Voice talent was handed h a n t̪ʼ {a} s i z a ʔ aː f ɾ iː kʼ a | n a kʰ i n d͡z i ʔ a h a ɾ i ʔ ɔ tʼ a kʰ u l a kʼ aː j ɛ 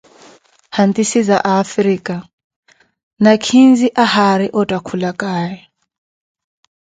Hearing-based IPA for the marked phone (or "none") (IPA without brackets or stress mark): i